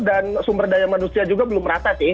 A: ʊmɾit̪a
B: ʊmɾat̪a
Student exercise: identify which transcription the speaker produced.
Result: B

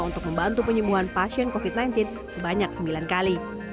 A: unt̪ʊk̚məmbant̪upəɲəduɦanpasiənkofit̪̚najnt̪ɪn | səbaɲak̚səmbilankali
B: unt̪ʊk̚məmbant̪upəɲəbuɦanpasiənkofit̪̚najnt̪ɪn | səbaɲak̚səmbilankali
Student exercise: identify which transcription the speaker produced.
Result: B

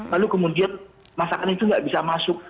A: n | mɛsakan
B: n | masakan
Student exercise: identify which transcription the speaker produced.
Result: B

